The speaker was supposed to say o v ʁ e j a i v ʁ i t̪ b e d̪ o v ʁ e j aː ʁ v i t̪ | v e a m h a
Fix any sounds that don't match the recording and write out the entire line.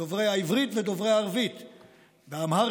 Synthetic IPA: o v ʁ e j a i v ʁ i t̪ v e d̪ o v ʁ e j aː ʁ v i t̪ | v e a m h a